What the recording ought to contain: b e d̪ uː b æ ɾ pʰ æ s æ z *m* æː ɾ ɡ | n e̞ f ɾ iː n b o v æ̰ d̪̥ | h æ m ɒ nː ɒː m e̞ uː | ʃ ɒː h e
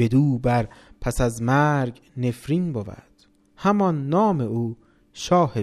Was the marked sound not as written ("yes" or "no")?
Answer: no